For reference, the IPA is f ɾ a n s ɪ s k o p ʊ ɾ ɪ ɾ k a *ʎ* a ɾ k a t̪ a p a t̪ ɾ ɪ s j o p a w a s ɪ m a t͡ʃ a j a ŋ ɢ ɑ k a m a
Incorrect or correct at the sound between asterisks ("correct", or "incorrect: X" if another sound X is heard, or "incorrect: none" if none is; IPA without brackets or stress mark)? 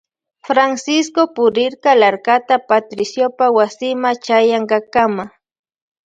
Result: incorrect: l